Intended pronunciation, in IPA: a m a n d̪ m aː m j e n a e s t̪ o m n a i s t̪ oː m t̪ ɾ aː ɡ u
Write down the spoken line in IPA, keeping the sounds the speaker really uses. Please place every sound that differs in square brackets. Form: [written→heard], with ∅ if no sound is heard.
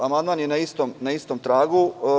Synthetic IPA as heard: a m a n d̪ m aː [m→n] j e n a [e→i] s t̪ o m n a i s t̪ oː m t̪ ɾ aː ɡ u